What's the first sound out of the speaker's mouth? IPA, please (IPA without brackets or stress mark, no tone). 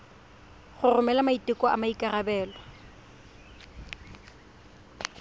χ